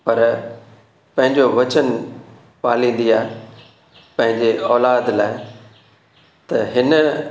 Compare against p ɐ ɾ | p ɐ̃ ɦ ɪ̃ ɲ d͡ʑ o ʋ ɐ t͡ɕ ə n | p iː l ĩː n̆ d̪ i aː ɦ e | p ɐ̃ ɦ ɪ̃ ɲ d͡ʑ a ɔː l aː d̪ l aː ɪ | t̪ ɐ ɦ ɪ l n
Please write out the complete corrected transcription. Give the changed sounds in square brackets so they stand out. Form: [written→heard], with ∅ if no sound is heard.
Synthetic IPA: p ɐ ɾ | p ɐ̃ ɦ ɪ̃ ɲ d͡ʑ o ʋ ɐ t͡ɕ ə n | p [iː→aː] l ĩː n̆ d̪ i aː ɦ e | p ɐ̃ ɦ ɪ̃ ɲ d͡ʑ [a→e] ɔː l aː d̪ l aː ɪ | t̪ ɐ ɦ ɪ [l→∅] n